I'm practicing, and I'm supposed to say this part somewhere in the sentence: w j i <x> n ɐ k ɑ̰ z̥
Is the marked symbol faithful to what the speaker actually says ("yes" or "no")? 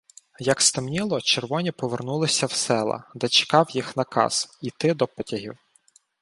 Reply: yes